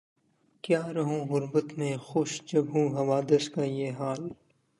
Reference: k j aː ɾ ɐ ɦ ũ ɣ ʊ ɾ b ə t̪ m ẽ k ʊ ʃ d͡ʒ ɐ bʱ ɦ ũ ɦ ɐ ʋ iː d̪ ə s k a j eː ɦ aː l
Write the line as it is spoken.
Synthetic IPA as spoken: k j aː ɾ ɐ ɦ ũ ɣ ʊ ɾ b ə t̪ m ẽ x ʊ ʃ d͡ʒ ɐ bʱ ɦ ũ ɦ ɐ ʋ aː d̪ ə s k a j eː ɦ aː l